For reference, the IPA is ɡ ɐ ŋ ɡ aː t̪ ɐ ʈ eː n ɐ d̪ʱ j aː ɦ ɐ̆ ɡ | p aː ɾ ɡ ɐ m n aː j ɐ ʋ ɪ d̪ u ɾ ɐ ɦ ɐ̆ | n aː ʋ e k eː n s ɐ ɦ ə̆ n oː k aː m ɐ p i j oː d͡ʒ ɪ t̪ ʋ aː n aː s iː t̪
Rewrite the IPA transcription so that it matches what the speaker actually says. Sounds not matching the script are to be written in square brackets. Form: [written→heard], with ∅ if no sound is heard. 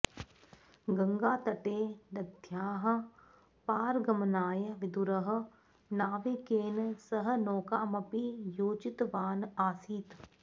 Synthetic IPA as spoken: ɡ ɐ ŋ ɡ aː t̪ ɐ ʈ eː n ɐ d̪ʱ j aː ɦ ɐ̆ [ɡ→∅] | p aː ɾ ɡ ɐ m n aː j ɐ ʋ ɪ d̪ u ɾ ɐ ɦ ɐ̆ | n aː ʋ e k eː n s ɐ ɦ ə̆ n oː k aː m ɐ p i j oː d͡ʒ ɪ t̪ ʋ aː n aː s iː t̪